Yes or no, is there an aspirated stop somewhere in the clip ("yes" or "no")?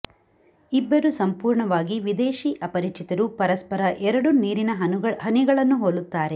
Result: no